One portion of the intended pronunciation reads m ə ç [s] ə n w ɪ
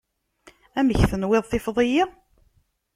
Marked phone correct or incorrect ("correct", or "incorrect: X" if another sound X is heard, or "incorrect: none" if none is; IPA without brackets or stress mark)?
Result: incorrect: θ